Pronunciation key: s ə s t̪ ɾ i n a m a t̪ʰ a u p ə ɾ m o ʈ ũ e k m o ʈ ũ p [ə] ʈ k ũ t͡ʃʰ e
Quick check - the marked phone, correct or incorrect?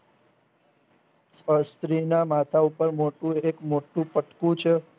correct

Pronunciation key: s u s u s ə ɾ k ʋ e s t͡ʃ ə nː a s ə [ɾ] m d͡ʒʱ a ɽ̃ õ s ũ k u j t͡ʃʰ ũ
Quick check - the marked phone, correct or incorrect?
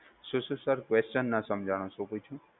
incorrect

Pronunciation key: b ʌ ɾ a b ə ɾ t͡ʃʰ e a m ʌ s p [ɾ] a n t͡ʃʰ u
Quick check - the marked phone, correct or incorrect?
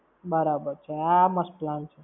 incorrect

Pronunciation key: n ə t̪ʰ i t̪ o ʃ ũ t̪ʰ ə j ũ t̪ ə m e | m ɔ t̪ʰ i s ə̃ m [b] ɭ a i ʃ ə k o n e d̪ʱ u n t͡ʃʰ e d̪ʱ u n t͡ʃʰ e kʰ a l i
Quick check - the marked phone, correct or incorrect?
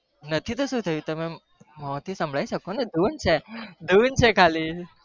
correct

